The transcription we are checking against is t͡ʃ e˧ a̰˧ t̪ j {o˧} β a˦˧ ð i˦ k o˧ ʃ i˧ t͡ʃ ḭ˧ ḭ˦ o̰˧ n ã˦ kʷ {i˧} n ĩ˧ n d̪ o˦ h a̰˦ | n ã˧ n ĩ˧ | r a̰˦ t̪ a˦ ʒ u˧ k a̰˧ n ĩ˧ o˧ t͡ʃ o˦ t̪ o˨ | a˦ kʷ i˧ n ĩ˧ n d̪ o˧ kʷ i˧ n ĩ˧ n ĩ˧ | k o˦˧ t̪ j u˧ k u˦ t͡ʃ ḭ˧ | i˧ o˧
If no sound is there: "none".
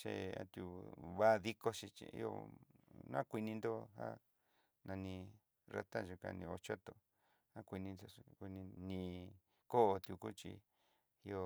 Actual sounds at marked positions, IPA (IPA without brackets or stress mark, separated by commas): u˧, i˧